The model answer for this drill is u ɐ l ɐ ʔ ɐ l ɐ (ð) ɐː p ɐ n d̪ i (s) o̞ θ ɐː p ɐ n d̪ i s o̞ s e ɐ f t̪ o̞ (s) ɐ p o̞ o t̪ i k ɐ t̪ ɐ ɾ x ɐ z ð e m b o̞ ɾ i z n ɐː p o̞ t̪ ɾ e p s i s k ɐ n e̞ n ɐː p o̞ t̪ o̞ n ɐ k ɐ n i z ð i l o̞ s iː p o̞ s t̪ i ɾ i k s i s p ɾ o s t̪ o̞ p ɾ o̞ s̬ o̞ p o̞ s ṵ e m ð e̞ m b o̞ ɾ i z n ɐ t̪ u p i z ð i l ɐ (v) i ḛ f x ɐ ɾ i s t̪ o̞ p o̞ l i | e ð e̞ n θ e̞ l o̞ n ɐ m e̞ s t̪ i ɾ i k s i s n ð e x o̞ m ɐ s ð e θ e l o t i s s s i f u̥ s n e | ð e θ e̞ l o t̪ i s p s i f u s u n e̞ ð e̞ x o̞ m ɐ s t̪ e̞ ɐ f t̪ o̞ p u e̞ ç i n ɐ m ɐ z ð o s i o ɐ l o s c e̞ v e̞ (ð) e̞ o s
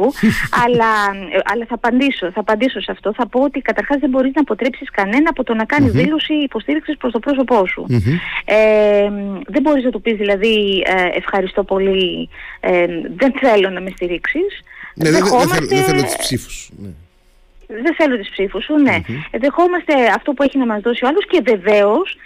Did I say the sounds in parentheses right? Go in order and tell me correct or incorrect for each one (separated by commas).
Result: incorrect, correct, incorrect, incorrect, incorrect